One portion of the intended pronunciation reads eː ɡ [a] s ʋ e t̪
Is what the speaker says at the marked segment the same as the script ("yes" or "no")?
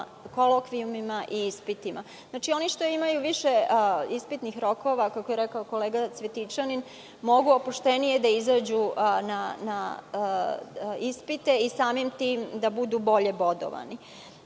yes